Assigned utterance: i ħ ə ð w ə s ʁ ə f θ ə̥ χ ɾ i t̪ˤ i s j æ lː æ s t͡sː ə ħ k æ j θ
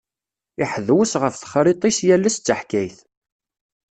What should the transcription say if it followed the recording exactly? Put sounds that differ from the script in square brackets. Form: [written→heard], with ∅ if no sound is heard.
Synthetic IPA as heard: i ħ ə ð w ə s ʁ ə f θ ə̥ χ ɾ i t̪ˤ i s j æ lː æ s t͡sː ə ħ k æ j θ